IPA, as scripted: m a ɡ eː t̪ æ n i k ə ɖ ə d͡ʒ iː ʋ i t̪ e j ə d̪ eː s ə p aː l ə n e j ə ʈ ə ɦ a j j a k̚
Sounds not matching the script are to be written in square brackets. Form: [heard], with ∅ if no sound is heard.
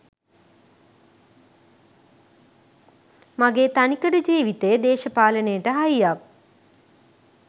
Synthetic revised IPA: m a ɡ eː t̪ [a] n i k ə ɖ ə d͡ʒ iː ʋ i t̪ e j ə d̪ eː [ʃ] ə p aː l ə n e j ə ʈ ə ɦ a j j a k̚